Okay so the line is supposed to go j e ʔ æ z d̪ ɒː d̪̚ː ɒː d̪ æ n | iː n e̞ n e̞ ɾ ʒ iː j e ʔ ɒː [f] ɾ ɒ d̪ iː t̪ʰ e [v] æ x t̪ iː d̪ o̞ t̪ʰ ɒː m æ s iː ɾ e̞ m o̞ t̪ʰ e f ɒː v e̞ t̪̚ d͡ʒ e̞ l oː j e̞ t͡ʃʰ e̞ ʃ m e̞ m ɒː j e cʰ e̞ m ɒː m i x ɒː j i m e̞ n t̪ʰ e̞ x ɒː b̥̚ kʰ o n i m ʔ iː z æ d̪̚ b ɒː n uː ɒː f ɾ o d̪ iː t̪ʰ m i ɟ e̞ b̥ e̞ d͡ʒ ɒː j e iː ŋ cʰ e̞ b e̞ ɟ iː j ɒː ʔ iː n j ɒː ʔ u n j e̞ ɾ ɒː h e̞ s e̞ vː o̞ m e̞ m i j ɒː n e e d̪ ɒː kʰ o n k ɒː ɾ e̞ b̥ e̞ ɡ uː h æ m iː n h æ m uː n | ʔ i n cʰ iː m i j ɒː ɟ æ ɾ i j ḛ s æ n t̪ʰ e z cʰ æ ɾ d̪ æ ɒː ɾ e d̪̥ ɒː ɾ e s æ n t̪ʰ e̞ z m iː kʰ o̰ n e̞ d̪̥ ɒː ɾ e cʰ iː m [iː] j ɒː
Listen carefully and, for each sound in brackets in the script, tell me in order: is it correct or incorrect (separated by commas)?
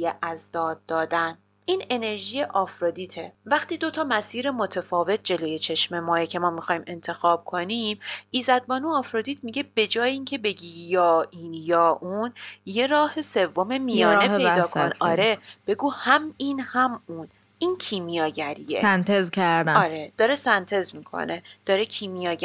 correct, correct, incorrect